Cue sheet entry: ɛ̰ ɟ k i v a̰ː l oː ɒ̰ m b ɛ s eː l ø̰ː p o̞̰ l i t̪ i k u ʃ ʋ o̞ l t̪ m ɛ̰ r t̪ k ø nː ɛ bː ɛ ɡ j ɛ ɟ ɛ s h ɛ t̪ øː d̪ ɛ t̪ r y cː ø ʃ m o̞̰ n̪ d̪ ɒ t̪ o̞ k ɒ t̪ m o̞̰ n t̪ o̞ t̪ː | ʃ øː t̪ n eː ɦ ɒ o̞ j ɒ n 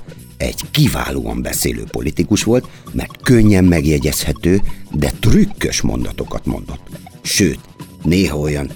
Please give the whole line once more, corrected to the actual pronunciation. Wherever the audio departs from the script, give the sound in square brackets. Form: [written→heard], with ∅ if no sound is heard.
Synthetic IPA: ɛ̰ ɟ k i v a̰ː l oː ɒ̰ m b ɛ s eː l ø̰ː p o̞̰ l i t̪ i k u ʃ ʋ o̞ l t̪ m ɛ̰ r t̪ k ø [nː→ɲː] ɛ [bː→mː] ɛ ɡ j ɛ ɟ ɛ s h ɛ t̪ øː d̪ ɛ t̪ r y [cː→kː] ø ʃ m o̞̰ n̪ d̪ ɒ t̪ o̞ k ɒ t̪ m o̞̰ n [t̪→d̪] o̞ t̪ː | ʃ øː t̪ n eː ɦ ɒ o̞ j ɒ n